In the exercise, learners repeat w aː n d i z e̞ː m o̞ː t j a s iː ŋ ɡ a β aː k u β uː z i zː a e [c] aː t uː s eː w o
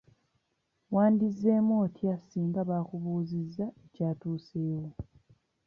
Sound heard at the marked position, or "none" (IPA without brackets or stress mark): c